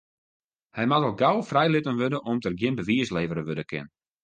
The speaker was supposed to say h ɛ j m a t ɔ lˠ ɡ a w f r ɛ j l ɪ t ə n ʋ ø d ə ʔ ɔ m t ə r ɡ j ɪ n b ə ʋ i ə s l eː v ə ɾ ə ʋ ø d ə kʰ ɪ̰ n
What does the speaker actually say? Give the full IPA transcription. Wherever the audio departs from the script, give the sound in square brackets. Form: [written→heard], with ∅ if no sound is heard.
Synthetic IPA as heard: h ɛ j m a t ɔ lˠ ɡ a w f r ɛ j l ɪ t ə n ʋ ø d ə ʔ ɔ m t ə r ɡ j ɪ n b ə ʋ i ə s l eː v ə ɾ ə ʋ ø d ə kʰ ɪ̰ n